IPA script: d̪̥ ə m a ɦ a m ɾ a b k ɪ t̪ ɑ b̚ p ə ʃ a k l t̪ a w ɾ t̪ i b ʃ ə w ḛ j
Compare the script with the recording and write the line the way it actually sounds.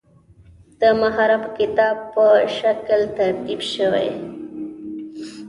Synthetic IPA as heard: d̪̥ ə m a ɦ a ɾ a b k ɪ t̪ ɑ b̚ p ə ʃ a k l t̪ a ɾ t̪ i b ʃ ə w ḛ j